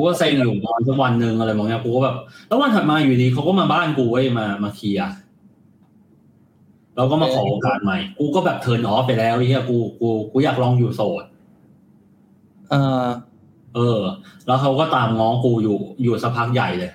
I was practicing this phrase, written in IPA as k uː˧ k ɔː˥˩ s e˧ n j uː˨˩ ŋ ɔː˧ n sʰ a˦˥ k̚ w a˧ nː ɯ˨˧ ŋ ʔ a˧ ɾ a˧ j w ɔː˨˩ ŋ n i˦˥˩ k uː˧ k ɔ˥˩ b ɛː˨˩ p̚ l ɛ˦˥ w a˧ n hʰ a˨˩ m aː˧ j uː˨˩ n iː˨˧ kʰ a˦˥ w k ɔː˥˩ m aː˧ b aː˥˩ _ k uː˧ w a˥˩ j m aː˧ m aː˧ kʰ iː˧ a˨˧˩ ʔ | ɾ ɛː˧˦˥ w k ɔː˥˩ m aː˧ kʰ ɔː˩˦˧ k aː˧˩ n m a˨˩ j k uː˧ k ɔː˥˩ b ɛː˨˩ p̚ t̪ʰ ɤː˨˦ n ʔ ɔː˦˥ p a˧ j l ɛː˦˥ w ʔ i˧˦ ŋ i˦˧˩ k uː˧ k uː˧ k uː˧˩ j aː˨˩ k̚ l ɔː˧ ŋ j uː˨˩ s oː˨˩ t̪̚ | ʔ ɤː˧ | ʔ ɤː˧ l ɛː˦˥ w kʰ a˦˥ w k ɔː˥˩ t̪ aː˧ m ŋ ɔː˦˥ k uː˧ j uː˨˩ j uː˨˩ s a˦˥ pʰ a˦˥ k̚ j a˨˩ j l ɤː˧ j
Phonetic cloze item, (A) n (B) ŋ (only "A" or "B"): A